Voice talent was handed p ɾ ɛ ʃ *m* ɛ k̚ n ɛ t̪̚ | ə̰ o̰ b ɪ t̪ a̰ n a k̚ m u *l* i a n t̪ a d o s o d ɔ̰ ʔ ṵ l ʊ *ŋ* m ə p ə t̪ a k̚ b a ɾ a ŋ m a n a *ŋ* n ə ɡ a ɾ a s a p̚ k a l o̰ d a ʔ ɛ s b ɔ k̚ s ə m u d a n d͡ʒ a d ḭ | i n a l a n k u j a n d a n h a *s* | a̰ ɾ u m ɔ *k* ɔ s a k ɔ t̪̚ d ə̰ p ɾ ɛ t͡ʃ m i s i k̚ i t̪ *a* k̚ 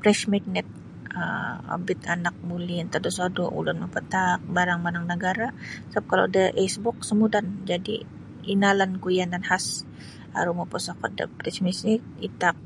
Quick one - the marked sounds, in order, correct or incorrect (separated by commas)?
correct, correct, incorrect, correct, correct, incorrect, correct